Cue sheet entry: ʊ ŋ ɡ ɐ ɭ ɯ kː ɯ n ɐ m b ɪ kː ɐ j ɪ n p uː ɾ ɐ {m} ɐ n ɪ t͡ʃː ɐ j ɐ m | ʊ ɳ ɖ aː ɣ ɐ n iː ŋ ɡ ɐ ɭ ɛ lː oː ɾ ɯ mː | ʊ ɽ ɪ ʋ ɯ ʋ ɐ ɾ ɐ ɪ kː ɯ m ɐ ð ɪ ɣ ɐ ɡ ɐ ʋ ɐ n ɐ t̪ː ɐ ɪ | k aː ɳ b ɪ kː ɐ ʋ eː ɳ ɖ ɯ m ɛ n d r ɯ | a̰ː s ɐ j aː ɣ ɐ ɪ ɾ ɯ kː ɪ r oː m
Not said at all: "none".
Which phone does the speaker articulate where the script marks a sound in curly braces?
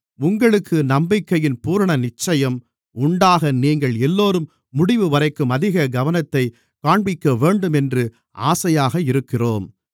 ɳ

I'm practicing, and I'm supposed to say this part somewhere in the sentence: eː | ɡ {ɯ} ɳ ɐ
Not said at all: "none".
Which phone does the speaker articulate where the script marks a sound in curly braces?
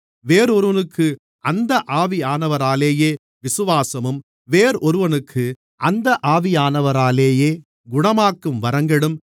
ʊ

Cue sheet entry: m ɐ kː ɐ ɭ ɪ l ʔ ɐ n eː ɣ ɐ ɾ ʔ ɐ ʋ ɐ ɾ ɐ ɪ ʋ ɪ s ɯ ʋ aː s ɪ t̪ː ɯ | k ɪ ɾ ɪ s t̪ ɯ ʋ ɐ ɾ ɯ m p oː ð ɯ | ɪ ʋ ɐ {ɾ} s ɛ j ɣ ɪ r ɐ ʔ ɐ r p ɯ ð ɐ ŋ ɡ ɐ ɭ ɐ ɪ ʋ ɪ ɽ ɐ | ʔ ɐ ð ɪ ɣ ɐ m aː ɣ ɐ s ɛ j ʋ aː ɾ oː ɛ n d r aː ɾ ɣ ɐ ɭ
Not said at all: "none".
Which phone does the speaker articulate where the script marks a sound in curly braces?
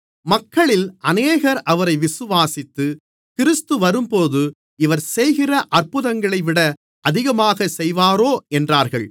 ɾ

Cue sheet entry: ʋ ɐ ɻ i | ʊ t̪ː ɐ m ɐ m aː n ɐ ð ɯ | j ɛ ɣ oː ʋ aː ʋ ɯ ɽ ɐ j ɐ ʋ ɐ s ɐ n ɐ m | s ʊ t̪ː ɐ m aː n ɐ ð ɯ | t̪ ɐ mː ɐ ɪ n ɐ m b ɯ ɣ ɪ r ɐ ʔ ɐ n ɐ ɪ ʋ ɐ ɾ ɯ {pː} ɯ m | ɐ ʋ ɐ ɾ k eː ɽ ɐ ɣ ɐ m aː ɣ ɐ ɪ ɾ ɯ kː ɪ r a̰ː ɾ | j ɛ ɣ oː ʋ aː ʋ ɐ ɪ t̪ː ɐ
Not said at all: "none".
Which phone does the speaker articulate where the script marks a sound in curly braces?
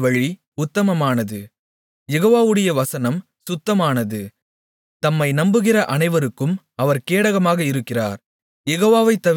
kː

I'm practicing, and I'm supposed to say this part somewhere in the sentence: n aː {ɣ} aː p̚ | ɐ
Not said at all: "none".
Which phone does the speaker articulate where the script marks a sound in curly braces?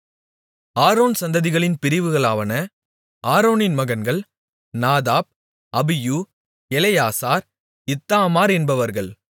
ð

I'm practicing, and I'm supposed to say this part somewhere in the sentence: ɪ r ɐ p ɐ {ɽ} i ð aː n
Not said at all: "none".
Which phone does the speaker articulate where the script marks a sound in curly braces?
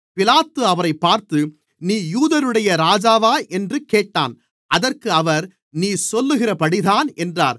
ɽ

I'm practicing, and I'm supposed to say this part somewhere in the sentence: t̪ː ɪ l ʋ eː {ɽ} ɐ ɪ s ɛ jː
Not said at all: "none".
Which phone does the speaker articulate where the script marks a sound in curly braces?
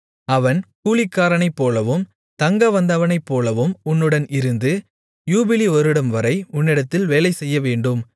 l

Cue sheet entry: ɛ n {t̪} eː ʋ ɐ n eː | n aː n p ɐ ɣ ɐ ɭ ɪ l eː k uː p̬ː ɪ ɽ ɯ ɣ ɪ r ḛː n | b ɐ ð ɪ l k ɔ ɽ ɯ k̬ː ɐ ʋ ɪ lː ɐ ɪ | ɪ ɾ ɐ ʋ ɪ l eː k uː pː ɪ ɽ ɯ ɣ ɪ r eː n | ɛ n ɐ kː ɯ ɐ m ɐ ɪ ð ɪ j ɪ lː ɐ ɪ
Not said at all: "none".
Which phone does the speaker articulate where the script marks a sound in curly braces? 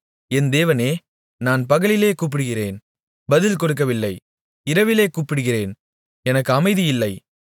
d̪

